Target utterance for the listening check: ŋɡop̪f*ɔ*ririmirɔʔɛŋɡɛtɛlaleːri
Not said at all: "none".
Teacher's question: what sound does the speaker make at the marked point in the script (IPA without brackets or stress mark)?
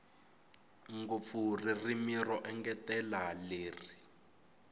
u